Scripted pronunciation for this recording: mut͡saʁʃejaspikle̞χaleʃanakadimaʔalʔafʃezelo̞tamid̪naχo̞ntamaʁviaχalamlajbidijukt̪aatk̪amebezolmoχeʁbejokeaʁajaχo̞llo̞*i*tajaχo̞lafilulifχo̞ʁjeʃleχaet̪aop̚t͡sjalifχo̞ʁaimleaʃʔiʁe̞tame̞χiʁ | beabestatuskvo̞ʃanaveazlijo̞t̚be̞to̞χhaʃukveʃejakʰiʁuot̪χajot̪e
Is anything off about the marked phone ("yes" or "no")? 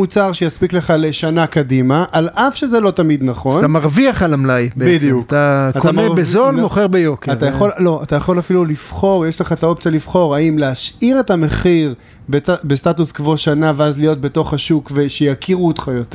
yes